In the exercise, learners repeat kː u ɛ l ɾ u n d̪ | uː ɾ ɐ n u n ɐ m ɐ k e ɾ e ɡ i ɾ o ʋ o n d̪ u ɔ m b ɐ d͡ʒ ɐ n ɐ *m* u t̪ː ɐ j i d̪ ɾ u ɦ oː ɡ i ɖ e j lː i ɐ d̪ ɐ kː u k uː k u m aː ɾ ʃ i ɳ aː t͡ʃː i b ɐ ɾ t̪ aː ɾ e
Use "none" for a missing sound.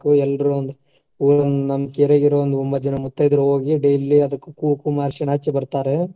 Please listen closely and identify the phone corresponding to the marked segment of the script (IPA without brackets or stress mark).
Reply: m